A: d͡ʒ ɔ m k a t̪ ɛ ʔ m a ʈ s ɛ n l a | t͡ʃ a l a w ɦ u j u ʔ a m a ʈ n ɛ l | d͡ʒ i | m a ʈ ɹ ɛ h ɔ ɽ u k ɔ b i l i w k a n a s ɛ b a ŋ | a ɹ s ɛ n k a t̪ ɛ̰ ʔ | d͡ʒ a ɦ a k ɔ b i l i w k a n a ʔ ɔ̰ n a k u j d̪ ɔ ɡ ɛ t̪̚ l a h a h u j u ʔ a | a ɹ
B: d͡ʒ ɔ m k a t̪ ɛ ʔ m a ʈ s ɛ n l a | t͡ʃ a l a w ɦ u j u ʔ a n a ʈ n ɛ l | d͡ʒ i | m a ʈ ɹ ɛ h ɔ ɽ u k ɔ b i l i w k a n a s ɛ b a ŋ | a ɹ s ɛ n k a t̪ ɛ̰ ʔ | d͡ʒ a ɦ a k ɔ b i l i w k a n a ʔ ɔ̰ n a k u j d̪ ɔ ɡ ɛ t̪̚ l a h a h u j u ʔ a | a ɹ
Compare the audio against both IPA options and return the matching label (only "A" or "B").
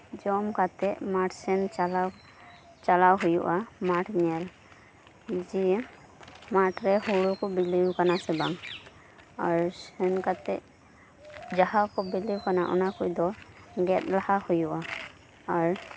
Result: A